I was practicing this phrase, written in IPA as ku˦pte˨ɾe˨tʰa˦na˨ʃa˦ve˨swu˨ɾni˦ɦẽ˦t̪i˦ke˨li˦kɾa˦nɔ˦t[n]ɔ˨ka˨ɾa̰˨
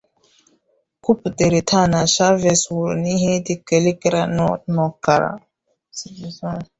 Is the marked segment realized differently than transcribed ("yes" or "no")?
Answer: no